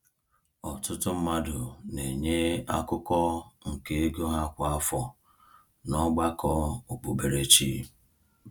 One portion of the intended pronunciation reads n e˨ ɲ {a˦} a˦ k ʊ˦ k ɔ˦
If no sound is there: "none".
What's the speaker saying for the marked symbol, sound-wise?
e˦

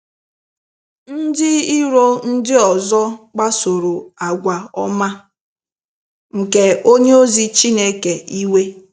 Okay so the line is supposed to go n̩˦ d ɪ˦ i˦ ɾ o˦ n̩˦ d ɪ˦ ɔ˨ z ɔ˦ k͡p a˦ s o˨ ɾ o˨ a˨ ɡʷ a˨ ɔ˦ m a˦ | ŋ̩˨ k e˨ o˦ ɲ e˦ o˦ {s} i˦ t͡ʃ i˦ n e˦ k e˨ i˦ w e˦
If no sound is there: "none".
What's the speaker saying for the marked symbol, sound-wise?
z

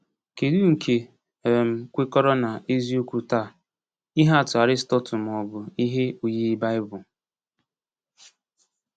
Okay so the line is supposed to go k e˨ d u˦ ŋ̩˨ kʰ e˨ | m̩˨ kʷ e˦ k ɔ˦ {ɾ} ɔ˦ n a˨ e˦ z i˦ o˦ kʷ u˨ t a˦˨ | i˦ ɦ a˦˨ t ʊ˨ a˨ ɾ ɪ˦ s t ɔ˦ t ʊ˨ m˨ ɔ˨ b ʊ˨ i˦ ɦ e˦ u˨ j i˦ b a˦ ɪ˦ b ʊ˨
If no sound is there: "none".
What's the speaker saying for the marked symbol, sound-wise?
ɾ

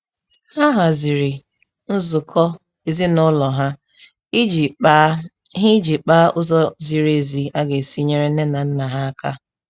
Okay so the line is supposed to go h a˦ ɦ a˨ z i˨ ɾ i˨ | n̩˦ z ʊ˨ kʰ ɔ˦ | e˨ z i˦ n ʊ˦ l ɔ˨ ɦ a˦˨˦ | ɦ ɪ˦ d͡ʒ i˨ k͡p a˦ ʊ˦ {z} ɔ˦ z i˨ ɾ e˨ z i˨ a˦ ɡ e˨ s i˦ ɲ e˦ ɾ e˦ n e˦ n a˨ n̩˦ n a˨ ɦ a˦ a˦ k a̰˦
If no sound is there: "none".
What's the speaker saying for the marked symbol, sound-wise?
z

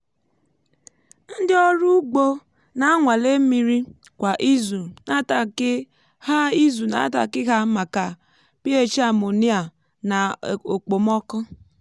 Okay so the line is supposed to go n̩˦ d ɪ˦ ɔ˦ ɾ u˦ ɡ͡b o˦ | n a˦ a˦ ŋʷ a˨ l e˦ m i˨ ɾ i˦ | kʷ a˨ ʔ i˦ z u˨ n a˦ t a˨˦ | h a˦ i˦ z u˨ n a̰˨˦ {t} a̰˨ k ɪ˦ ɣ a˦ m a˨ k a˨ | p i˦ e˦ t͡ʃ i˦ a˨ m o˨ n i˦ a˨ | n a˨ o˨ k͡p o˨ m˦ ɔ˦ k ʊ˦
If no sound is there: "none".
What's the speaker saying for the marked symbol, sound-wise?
t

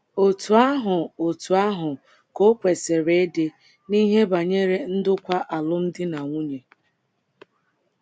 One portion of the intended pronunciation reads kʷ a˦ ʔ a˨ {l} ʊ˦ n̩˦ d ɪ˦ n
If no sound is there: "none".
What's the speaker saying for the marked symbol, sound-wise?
l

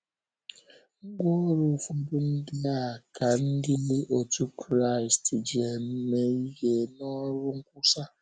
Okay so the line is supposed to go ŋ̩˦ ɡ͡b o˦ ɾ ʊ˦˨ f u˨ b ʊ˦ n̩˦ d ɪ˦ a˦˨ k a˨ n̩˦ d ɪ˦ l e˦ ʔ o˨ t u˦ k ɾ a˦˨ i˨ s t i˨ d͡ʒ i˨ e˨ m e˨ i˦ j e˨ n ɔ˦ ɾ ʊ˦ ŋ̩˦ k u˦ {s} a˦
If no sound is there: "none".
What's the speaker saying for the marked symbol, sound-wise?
s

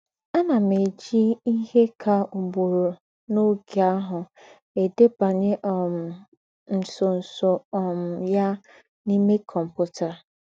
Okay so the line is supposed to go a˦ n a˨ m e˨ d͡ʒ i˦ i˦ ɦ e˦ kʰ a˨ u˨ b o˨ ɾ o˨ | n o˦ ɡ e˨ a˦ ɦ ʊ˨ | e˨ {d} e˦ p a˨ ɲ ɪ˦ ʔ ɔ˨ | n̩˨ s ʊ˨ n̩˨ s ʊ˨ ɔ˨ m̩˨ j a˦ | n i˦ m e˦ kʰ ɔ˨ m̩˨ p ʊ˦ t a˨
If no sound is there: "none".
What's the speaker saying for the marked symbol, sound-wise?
d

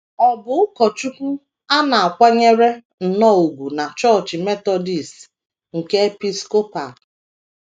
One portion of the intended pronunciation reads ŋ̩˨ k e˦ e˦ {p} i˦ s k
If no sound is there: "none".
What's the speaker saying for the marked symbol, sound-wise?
p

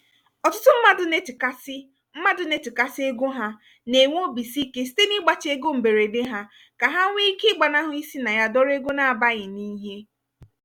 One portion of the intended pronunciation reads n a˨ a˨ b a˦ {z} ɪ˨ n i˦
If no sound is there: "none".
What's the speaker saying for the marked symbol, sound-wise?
ɣ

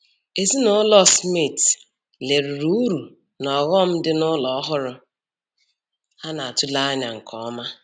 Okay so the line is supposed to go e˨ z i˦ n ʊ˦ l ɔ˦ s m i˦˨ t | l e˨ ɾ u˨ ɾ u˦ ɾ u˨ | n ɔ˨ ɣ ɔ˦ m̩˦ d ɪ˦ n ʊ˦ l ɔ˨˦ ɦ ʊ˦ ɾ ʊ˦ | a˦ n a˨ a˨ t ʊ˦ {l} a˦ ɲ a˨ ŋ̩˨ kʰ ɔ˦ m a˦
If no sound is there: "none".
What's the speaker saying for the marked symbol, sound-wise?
l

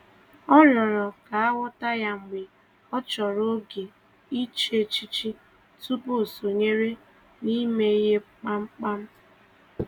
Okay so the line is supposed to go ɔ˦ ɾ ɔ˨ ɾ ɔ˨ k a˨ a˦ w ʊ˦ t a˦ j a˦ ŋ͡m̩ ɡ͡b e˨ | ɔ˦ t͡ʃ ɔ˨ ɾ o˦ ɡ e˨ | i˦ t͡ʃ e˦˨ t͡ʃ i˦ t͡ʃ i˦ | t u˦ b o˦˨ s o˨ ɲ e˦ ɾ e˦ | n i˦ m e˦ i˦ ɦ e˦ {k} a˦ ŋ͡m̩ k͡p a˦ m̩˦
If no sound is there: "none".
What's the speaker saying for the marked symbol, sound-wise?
k͡p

